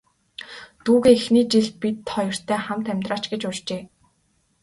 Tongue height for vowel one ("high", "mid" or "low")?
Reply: high